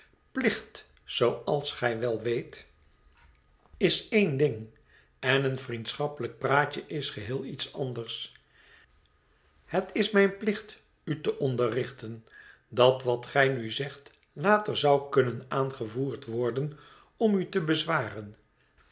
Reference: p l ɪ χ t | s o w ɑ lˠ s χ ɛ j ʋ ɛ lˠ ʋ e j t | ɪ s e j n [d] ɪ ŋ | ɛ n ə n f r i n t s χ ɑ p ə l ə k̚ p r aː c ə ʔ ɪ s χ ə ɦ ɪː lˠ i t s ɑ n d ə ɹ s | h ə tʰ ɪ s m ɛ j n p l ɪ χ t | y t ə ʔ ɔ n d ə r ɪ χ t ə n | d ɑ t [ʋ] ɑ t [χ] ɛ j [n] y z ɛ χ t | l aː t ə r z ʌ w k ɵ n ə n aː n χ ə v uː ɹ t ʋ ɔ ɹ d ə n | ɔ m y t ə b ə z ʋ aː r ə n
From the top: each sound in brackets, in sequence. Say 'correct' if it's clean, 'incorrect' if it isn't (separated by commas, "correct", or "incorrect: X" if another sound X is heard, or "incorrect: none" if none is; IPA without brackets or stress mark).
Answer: correct, correct, correct, correct